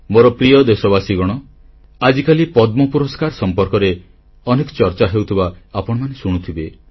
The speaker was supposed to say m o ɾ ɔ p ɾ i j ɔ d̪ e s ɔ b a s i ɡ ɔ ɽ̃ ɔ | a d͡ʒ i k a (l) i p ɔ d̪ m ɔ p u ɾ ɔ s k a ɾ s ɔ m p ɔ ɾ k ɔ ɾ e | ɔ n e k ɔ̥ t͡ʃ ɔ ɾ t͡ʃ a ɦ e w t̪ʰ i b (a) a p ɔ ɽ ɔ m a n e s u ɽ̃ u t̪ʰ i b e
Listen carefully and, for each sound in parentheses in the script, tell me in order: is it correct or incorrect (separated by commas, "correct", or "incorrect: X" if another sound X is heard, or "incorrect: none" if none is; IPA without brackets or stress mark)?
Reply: correct, correct